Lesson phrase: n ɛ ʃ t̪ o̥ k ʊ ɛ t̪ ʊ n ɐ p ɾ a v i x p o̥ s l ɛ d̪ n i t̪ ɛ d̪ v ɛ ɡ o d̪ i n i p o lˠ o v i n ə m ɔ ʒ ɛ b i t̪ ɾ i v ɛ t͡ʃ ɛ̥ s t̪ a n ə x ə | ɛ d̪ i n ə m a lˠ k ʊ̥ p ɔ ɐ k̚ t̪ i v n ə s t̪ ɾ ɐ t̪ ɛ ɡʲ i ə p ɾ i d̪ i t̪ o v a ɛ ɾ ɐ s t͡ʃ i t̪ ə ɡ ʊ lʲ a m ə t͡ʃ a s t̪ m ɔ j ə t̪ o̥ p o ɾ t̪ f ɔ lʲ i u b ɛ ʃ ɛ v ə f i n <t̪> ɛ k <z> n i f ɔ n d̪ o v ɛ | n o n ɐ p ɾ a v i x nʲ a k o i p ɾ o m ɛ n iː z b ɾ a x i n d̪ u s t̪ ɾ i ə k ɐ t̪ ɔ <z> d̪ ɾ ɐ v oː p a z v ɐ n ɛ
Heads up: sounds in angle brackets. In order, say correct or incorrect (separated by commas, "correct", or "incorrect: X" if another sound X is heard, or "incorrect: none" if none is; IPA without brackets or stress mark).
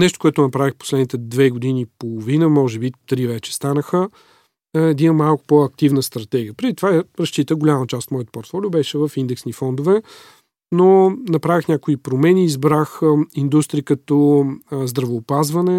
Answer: incorrect: d̪, incorrect: s, correct